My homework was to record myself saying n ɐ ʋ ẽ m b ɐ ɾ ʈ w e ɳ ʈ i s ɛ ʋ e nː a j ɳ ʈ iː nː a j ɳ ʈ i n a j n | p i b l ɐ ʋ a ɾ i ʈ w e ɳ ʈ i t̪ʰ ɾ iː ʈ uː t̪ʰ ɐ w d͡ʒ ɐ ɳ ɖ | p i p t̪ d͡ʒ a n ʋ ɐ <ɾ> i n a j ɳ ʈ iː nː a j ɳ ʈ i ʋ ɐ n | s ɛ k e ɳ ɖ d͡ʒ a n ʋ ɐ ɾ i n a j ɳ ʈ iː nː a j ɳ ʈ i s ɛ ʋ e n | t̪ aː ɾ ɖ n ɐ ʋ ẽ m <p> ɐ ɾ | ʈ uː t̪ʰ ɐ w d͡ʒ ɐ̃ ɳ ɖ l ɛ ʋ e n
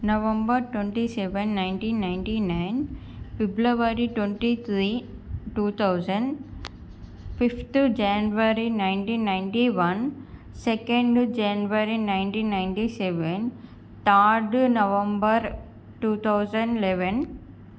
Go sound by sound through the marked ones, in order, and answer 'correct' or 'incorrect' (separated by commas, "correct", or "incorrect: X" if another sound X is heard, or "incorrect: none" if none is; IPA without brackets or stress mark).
correct, incorrect: b